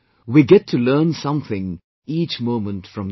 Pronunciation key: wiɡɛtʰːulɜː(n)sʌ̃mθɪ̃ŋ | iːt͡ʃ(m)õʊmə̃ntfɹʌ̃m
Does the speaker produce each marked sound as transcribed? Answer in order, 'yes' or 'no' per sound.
yes, yes

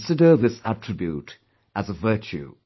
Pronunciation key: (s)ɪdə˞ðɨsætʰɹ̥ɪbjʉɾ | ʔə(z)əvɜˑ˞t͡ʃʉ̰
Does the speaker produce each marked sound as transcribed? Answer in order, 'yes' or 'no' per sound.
yes, yes

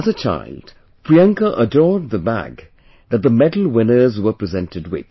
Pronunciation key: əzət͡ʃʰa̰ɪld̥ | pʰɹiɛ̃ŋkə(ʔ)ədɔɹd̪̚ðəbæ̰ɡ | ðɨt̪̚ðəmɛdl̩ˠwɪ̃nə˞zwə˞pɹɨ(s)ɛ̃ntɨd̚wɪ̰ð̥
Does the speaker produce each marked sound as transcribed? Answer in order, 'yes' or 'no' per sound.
yes, no

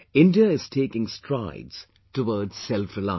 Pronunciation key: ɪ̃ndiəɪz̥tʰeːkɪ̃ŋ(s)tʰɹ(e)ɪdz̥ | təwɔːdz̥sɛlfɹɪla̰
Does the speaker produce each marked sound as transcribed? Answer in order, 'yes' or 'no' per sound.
yes, no

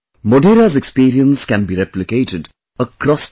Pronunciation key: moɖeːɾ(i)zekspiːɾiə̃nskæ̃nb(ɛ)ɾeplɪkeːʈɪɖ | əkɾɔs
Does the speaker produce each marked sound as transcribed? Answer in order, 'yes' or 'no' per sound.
no, no

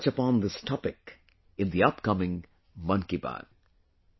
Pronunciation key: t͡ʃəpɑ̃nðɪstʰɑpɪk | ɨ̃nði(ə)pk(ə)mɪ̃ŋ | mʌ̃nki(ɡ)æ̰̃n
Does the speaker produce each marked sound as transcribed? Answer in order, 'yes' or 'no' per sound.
no, no, no

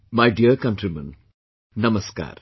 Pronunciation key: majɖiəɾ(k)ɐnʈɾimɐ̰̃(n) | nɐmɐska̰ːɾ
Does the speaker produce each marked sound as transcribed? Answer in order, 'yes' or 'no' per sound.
yes, yes

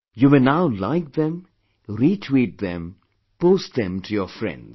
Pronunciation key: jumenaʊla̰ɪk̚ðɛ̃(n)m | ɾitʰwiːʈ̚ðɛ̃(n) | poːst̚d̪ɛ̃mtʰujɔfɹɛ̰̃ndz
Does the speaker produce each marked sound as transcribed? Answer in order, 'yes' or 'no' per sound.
no, no

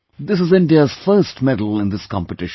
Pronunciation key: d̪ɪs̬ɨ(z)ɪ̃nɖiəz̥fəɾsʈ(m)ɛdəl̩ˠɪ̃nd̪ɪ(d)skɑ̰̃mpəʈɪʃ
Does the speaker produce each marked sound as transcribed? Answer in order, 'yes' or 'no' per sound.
yes, yes, no

